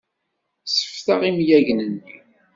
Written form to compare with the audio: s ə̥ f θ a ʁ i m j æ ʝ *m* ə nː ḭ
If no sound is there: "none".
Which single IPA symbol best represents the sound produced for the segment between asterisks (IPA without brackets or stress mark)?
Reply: n